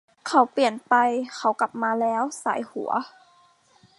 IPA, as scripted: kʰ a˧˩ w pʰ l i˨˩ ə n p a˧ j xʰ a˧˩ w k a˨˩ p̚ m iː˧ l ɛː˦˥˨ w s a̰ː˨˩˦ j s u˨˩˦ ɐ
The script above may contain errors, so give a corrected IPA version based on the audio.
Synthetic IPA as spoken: kʰ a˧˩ w p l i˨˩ ə n p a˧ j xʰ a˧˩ w k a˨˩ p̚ m aː˧ l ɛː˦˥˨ w s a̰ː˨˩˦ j h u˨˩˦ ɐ